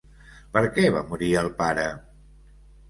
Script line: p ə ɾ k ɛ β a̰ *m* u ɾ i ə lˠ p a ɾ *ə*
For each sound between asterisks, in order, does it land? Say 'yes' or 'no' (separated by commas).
yes, yes